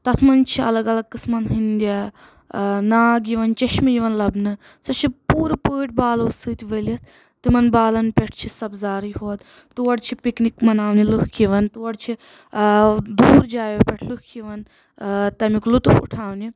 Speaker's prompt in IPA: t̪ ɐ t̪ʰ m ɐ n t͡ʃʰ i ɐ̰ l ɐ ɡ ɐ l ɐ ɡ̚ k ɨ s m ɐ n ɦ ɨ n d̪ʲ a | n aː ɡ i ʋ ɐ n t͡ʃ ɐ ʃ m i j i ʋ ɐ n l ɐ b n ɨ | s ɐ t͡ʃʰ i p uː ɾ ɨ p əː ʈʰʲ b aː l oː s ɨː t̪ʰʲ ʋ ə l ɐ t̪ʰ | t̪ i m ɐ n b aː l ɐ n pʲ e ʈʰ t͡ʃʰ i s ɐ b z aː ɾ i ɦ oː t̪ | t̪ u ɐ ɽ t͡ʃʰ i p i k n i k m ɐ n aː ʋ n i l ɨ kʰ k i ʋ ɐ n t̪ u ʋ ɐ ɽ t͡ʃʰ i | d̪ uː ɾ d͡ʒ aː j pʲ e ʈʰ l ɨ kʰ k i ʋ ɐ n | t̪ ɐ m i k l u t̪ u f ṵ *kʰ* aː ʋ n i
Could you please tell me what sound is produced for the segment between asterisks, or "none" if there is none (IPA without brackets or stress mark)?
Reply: ʈʰ